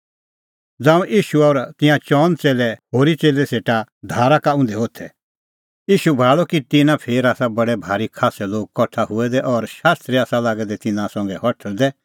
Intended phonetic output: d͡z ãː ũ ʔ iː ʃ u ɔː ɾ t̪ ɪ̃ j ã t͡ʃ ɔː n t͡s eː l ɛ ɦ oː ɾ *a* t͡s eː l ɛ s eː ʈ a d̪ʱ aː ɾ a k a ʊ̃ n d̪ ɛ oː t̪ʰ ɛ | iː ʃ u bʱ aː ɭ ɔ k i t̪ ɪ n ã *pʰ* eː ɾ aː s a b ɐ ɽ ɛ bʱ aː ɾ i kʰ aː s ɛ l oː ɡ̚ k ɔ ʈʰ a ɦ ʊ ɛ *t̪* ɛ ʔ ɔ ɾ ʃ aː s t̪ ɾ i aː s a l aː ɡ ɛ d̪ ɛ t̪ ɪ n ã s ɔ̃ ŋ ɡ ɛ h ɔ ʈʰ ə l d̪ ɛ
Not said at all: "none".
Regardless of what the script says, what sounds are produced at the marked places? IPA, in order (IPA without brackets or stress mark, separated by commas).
i, pʰ, d̪